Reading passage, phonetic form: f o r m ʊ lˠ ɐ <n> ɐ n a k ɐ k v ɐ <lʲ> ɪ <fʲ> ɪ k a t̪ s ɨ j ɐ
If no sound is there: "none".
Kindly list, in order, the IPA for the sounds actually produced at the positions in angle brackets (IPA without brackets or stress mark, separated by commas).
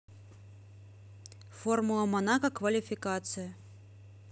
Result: m, lʲ, fʲ